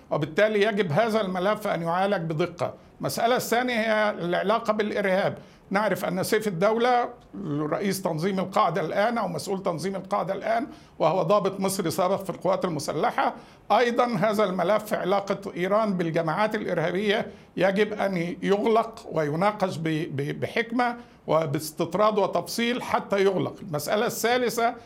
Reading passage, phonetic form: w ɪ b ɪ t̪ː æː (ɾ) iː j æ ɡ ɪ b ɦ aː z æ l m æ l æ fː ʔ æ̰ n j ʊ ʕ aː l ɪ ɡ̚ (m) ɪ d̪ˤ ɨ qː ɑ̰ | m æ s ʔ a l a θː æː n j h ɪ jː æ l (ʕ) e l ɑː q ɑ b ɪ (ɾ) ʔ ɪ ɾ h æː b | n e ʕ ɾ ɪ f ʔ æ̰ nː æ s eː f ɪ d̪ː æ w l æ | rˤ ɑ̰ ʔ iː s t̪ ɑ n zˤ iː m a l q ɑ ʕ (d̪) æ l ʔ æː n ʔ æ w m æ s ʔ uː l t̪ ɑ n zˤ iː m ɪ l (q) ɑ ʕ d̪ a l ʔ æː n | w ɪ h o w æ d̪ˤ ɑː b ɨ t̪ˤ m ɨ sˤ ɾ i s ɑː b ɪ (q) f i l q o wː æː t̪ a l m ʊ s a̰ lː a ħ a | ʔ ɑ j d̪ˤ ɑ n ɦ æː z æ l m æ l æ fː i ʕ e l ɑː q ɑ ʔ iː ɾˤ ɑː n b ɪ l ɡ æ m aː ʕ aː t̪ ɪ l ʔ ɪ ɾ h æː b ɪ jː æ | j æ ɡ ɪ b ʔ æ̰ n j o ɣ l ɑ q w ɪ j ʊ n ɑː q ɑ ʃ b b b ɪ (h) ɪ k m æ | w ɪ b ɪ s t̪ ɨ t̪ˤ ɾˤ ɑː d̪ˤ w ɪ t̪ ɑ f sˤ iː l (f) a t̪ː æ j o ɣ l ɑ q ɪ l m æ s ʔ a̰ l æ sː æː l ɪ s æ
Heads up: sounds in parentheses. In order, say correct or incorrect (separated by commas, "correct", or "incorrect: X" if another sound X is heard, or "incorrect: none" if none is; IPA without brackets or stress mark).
incorrect: l, incorrect: b, correct, incorrect: l, correct, correct, correct, incorrect: ħ, incorrect: ħ